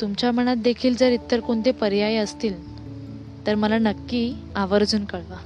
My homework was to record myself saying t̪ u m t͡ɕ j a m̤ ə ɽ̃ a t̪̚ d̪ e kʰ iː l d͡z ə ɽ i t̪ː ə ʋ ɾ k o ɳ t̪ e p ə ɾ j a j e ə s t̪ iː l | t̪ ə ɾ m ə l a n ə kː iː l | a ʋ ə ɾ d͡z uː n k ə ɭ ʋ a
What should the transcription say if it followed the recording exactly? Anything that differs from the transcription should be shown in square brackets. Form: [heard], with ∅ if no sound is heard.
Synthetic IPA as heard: t̪ u m t͡ɕ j a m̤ ə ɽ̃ a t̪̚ d̪ e kʰ iː l d͡z ə [ɾ] i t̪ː ə [∅] ɾ k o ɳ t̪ e p ə ɾ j a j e ə s t̪ iː l | t̪ ə ɾ m ə l a n ə kː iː [∅] | a ʋ ə ɾ d͡z uː n k ə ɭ ʋ a